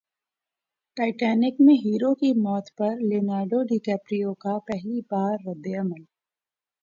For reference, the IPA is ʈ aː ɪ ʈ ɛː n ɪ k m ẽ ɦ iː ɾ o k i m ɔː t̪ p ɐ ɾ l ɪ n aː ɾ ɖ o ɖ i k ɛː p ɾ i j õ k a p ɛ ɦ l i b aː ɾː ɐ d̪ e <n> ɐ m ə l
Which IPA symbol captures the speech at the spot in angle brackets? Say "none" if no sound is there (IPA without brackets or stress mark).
none